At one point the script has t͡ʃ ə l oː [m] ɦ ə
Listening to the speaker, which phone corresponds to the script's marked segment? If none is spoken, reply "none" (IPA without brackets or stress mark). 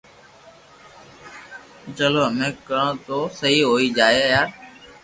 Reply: none